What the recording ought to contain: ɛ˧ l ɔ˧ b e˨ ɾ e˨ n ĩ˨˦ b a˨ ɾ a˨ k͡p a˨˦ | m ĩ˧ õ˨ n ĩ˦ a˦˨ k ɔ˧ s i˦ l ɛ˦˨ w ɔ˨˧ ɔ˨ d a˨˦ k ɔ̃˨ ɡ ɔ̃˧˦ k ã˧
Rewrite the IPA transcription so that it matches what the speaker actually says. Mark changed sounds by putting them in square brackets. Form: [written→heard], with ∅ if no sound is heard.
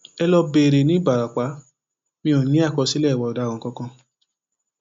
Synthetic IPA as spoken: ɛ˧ l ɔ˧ b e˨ ɾ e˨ n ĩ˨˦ b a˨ ɾ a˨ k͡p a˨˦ | m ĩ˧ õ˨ n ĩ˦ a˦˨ k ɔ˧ s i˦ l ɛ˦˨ w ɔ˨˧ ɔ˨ d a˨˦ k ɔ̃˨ [ɡ→k] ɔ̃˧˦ k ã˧